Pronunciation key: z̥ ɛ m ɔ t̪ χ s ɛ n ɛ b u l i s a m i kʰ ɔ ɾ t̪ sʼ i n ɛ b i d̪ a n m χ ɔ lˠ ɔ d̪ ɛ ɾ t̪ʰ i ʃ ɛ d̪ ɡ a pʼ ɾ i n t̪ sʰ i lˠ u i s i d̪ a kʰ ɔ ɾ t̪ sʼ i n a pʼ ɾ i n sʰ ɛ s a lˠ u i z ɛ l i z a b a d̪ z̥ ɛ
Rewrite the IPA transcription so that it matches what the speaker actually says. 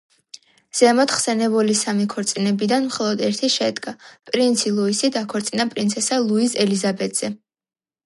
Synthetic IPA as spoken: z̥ ɛ m ɔ t̪ χ s ɛ n ɛ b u l i s a m i kʰ ɔ ɾ t̪ sʼ i n ɛ b i d̪ a n m χ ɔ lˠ ɔ d̪ ɛ ɾ t̪ʰ i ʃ ɛ d̪ ɡ a pʼ ɾ i n t̪ sʰ i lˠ u i s i d̪ a kʰ ɔ ɾ t̪ sʼ i n a pʼ ɾ i n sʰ ɛ s a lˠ u i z ɛ l i z a b ɛ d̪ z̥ ɛ

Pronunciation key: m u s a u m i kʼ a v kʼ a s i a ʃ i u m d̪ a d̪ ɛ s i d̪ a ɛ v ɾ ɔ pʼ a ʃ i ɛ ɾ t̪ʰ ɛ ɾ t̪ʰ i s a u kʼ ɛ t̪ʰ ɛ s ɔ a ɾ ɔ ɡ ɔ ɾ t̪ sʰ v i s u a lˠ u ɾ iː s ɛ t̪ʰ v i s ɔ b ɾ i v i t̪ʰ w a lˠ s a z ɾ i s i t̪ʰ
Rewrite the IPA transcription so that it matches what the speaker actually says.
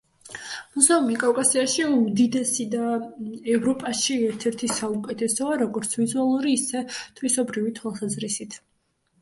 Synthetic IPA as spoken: m u z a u m i kʼ a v kʼ a s i a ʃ i u m d̪ i d̪ ɛ s i d̪ a ɛ v ɾ ɔ pʼ a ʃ i ɛ ɾ t̪ʰ ɛ ɾ t̪ʰ i s a u kʼ ɛ t̪ʰ ɛ s ɔ a ɾ ɔ ɡ ɔ ɾ t̪ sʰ v i z u a lˠ u ɾ iː s ɛ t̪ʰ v i s ɔ b ɾ i v i t̪ʰ w a lˠ s a z ɾ i s i t̪ʰ

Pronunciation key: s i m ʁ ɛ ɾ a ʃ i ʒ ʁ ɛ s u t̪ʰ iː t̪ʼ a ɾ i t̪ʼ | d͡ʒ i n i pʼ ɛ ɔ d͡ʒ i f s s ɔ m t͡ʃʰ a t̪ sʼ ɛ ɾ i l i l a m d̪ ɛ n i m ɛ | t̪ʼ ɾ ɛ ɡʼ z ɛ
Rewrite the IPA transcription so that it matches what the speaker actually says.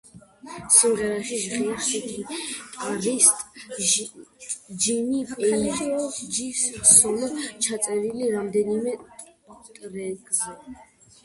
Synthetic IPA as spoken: s i m ʁ ɛ ɾ a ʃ i ʒ ʁ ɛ s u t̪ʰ i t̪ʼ a ɾ i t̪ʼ | d͡ʒ i n i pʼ ɛ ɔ d͡ʒ i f s s ɔ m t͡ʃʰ a t̪ sʼ ɛ ɾ i l i ɾ a m d̪ ɛ n i m ɛ | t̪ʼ ɾ ɛ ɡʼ z ɛ

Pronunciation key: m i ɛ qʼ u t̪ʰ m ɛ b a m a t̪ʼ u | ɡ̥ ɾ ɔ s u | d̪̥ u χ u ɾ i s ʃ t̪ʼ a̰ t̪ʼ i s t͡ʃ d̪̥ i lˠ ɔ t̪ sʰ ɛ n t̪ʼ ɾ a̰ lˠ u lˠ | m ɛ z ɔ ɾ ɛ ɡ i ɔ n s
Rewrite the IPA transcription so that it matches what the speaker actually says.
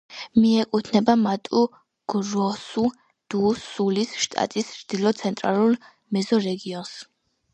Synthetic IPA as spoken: m i ɛ kʼ u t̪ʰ n ɛ b a m a t̪ʼ u | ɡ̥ ɾ ɔ s u | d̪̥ u s u l i s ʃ t̪ʼ a̰ t̪ʼ i s t͡ʃ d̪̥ i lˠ ɔ t̪ sʰ ɛ n t̪ʼ ɾ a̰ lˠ u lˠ | m ɛ z ɔ ɾ ɛ ɡ i ɔ n s

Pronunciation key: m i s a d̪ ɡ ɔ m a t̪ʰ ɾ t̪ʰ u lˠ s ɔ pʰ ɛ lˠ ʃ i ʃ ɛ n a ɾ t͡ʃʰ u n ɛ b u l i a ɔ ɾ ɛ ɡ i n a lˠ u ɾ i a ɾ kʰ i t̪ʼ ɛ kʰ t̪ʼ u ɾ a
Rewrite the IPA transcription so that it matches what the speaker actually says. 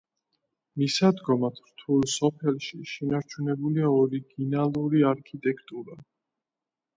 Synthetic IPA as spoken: m i s a d̪ ɡ ɔ m a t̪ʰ ɾ t̪ʰ u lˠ s ɔ pʰ ɛ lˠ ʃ i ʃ ɛ n a ɾ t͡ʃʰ u n ɛ b u l i a ɔ ɾ i ɡ i n a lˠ u ɾ i a ɾ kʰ i t̪ʼ ɛ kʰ t̪ʼ u ɾ a

